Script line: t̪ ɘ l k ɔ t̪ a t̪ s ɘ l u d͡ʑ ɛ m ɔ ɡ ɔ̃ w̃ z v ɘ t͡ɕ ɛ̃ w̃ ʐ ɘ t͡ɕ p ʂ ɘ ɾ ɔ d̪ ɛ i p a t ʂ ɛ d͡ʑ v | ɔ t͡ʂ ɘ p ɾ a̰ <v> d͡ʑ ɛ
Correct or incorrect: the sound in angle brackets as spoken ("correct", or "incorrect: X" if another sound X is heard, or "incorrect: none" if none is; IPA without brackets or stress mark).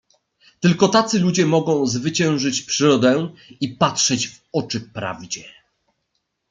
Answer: correct